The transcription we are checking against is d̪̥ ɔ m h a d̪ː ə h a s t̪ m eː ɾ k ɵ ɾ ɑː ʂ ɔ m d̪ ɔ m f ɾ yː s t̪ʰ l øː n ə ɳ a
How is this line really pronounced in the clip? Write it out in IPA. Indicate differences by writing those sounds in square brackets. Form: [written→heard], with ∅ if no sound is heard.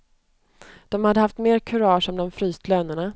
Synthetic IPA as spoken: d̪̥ ɔ m h a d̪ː ə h a [s→f] t̪ m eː ɾ [k→kʰ] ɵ ɾ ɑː ʂ ɔ m d̪ ɔ m f ɾ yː s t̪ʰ l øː n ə ɳ a